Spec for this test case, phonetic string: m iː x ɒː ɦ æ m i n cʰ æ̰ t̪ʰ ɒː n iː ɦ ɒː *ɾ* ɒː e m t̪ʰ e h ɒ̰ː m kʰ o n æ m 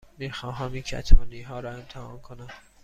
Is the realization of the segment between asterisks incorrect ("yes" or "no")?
no